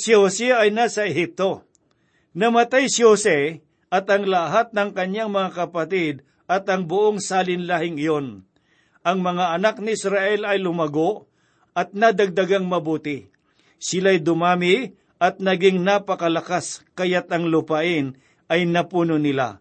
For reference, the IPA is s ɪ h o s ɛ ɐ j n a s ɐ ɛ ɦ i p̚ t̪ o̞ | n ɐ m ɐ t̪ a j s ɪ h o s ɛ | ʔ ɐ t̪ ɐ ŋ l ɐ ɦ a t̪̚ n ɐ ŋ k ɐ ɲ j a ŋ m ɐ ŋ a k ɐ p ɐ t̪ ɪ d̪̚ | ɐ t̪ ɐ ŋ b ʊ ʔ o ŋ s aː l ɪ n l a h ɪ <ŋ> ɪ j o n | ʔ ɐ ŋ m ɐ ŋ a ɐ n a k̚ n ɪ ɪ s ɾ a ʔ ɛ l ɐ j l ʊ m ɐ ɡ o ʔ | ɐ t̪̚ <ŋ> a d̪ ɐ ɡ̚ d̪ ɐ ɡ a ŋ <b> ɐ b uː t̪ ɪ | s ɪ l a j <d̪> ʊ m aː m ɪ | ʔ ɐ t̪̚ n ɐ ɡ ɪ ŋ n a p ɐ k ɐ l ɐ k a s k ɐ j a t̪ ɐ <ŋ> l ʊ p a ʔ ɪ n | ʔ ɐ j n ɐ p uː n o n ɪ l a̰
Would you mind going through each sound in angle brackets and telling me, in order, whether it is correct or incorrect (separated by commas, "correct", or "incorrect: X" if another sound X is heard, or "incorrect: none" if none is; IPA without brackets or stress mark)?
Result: correct, incorrect: n, incorrect: m, correct, correct